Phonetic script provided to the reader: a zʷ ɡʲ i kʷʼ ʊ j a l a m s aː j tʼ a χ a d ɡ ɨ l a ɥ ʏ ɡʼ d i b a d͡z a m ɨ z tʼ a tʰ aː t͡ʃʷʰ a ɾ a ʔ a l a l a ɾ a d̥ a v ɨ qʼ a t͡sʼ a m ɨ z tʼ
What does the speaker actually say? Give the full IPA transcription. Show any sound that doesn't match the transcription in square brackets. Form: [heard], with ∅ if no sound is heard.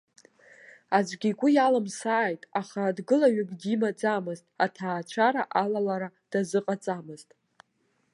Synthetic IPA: a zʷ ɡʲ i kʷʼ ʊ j a l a m s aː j tʼ a χ a d ɡ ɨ l a ɥ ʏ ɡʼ d i [m] a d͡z a m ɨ z tʼ a tʰ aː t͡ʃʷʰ a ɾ a ʔ a l a l a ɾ a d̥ a [z] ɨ qʼ a t͡sʼ a m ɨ z tʼ